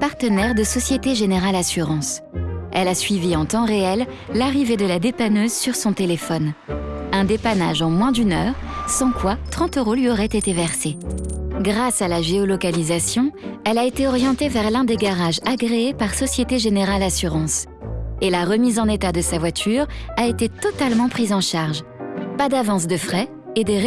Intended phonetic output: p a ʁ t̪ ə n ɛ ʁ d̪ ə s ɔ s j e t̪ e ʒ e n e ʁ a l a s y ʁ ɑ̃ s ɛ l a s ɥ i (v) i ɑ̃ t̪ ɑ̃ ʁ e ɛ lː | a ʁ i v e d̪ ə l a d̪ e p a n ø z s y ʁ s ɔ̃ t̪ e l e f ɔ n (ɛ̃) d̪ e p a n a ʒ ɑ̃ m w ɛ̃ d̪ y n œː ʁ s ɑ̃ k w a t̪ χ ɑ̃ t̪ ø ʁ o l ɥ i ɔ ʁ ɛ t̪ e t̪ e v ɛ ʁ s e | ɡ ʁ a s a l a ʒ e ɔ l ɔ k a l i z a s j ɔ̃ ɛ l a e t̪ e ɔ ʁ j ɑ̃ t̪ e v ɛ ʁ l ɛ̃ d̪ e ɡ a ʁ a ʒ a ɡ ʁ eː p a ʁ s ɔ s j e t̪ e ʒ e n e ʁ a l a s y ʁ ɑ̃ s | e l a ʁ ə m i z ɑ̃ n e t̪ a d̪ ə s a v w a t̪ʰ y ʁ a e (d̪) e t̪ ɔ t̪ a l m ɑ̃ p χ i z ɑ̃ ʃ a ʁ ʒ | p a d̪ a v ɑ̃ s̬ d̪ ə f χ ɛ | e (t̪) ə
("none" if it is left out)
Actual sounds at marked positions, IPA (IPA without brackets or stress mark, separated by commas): v, ɛ̃, t̪, d̪